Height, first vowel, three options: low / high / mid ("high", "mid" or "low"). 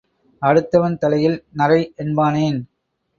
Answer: low